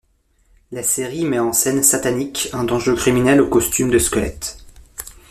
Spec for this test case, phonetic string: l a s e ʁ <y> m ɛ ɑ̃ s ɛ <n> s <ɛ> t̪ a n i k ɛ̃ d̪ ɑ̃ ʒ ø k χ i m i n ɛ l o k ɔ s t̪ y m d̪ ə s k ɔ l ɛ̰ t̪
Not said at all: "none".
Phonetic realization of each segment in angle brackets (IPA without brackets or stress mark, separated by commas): i, n, a